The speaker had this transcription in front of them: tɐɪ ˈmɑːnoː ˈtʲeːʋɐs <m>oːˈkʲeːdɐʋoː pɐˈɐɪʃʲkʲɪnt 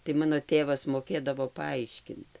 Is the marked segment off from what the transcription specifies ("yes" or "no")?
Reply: no